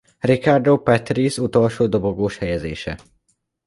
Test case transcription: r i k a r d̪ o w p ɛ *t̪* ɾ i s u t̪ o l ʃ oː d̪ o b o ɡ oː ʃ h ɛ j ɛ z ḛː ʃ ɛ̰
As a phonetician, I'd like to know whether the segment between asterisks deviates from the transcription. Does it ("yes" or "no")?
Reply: no